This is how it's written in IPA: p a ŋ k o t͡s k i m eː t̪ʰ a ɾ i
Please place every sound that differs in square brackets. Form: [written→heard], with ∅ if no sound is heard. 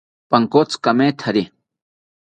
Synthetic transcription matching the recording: p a ŋ k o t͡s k [i→a] m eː t̪ʰ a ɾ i

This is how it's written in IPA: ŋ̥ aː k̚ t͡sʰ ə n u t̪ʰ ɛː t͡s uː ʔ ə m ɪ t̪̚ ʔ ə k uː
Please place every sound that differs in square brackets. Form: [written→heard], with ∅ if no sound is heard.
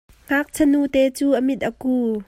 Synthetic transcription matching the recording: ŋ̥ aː k̚ t͡sʰ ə n u [t̪ʰ→t̪] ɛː t͡s uː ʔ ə m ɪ t̪̚ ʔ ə k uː

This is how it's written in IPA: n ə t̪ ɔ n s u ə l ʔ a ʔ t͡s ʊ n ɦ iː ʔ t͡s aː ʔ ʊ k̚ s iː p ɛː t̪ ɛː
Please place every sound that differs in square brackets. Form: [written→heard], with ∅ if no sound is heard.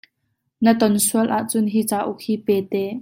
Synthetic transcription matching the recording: n ə t̪ ɔ n s u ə l ʔ a ʔ t͡s ʊ n ɦ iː [ʔ→∅] t͡s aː ʔ ʊ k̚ [s→h] iː p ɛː t̪ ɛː

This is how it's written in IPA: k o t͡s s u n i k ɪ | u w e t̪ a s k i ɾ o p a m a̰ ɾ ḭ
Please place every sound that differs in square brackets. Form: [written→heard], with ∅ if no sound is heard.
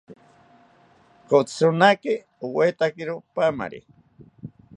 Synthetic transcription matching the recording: k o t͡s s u n [i→a] k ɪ | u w e t̪ a [s→∅] k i ɾ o p a m a̰ ɾ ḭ

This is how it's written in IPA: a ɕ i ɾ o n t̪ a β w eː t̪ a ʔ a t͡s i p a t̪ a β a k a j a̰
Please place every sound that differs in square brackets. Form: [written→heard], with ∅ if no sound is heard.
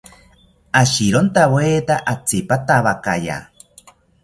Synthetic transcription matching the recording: a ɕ i ɾ o n t̪ a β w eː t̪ a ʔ a t͡s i p a t̪ a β a k a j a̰

